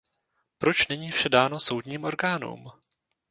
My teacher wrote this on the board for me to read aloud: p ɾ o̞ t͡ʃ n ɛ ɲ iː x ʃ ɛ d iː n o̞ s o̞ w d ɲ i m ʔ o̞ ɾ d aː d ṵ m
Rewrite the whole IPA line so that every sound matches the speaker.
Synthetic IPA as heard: p ɾ o̞ t͡ʃ n ɛ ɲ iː f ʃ ɛ d aː n o̞ s o̞ w d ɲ iː m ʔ o̞ ɾ ɡ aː n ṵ m